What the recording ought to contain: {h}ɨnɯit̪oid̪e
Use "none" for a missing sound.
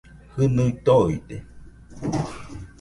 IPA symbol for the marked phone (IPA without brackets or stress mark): h